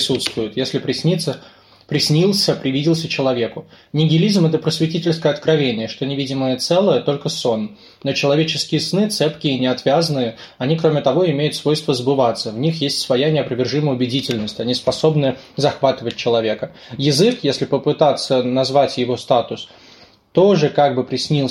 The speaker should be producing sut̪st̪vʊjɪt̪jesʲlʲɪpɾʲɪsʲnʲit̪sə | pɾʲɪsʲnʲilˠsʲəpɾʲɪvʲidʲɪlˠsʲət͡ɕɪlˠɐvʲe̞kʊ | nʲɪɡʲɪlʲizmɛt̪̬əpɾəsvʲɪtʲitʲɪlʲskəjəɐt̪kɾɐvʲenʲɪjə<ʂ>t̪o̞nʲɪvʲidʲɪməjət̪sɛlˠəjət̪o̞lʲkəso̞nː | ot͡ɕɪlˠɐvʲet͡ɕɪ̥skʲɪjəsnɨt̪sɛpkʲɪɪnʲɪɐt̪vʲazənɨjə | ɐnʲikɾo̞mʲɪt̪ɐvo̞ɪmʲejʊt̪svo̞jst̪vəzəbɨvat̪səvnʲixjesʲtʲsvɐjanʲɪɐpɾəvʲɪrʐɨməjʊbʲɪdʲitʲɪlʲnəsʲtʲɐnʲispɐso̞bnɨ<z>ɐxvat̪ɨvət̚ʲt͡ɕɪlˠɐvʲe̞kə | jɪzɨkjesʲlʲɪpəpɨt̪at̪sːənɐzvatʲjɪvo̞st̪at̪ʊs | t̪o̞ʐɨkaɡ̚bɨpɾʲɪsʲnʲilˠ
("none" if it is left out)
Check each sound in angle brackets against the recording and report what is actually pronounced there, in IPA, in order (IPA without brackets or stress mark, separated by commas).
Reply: ʂ, z